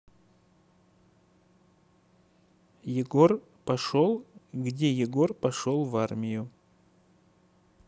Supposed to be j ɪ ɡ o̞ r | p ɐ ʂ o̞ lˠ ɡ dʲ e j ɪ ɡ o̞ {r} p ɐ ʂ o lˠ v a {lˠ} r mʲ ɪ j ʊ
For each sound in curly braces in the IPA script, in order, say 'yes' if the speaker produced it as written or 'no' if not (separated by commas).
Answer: yes, no